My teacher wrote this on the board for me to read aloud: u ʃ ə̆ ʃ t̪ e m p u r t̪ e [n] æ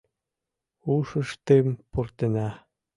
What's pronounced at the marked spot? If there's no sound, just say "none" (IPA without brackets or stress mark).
n